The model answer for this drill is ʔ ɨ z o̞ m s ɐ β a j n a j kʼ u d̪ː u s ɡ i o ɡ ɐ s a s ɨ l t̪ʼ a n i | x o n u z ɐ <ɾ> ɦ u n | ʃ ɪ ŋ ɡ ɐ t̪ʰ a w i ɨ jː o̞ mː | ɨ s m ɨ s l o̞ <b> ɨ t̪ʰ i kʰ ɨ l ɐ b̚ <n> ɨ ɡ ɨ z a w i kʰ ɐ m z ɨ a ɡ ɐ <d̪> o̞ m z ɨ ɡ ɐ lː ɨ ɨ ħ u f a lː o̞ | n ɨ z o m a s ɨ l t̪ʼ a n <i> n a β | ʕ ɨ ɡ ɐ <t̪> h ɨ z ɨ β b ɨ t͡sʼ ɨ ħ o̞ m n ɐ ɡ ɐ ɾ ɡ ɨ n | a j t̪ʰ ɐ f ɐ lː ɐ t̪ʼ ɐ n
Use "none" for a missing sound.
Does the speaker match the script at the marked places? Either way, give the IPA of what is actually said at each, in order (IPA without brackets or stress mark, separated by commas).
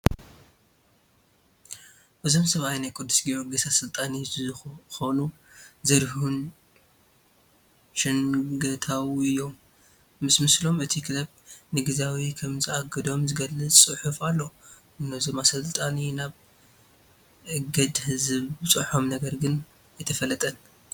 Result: ɾ, m, n, d̪, i, d̪